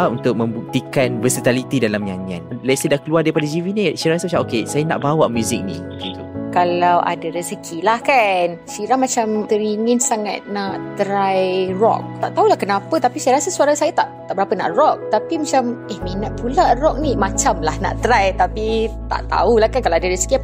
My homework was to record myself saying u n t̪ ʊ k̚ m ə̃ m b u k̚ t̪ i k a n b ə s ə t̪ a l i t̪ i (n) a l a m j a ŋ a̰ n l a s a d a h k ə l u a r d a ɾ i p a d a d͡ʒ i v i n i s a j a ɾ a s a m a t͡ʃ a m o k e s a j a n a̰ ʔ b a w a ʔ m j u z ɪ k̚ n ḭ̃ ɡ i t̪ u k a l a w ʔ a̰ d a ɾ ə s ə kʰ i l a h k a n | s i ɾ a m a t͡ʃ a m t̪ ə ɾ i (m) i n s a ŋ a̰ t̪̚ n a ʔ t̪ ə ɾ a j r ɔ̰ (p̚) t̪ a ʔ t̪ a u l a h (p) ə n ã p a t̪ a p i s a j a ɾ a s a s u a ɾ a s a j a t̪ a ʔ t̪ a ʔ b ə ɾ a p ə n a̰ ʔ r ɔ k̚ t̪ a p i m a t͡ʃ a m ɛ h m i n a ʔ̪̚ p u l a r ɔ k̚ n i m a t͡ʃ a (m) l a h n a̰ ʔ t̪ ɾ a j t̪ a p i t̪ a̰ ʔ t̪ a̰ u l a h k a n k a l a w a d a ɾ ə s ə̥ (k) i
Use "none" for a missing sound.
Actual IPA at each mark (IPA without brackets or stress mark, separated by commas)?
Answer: d, ŋ, k̚, k, m, k